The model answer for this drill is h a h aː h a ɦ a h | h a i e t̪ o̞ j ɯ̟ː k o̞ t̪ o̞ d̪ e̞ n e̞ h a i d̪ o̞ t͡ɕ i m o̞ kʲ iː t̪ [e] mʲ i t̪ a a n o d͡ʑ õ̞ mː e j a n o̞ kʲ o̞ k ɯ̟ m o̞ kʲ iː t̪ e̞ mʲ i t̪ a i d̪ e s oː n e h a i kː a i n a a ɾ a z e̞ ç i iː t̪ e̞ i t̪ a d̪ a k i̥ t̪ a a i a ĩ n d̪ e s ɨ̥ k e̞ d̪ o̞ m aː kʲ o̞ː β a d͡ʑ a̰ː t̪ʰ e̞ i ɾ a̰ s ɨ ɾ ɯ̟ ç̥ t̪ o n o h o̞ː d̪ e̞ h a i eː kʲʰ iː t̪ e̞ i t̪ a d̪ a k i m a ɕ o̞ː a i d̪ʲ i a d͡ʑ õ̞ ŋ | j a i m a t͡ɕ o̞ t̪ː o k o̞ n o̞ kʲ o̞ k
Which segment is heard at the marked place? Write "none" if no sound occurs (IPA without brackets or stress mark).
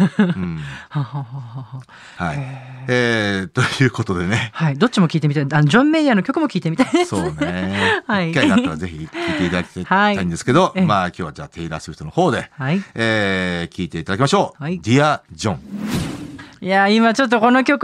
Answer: e